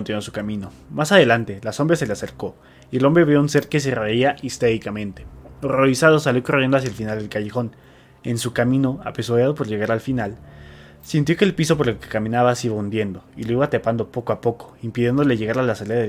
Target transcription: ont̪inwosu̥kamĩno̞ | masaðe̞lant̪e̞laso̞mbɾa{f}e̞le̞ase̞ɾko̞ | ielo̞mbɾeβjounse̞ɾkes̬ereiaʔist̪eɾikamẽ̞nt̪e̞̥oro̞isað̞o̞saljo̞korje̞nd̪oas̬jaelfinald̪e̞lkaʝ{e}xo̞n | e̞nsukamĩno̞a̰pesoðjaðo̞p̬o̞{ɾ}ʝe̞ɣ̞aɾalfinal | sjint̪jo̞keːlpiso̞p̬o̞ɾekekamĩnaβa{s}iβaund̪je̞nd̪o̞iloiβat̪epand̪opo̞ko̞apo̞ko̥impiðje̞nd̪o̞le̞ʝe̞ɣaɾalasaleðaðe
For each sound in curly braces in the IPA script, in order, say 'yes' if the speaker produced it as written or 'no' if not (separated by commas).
no, yes, yes, yes